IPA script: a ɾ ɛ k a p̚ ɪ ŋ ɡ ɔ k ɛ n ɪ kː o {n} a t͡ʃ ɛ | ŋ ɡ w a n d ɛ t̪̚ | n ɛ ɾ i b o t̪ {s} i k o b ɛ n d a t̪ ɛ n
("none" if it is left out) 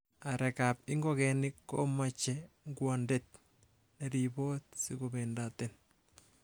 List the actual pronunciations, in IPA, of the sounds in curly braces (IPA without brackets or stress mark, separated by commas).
m, s